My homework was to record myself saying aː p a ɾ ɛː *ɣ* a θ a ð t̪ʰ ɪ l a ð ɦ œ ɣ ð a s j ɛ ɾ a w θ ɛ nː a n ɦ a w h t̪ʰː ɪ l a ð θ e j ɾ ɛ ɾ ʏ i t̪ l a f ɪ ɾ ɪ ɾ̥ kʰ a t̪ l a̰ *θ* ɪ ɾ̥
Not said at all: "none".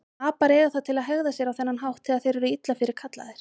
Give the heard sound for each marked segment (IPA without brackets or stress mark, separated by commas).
ɣ, ð